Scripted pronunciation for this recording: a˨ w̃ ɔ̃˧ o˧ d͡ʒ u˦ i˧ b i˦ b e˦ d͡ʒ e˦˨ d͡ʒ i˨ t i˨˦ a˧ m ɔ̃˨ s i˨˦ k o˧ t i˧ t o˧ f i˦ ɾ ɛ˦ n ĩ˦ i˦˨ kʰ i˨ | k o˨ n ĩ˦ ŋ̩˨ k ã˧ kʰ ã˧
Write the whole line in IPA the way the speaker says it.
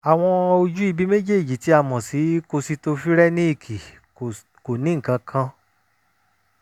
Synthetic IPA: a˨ w̃ ɔ̃˧ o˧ d͡ʒ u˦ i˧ b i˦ m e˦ d͡ʒ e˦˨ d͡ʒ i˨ t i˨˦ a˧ m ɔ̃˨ s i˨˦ k o˧ s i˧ t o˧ f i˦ ɾ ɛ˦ n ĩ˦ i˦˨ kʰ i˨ | k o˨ n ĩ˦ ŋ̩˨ k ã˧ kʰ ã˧